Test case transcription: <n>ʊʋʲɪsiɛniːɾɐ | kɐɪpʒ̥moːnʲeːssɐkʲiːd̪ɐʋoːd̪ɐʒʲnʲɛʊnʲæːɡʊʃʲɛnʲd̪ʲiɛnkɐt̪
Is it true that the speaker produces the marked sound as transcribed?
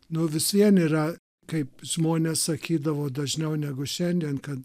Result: yes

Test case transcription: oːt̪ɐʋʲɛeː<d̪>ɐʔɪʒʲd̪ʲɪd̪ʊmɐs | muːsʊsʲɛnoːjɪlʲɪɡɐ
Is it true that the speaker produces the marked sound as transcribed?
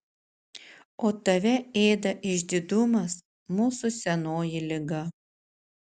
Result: yes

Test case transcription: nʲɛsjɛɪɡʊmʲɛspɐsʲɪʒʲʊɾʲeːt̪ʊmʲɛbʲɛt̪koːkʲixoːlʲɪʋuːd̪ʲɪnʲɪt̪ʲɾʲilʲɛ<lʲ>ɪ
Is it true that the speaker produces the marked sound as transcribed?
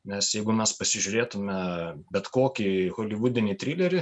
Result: no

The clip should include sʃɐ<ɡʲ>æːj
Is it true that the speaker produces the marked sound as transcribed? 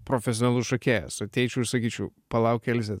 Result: no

